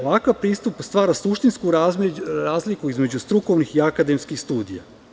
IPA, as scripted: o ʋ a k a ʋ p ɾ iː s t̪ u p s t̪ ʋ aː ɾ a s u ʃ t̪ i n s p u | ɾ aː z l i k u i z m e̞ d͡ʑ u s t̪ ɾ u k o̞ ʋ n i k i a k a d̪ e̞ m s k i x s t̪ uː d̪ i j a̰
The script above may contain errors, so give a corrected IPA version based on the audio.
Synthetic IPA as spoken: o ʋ a k a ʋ p ɾ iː s t̪ u p s t̪ ʋ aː ɾ a s u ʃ t̪ i n s k u | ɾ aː z l i k u i z m e̞ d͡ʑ u s t̪ ɾ u k o̞ ʋ n i x i a k a d̪ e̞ m s k i x s t̪ uː d̪ i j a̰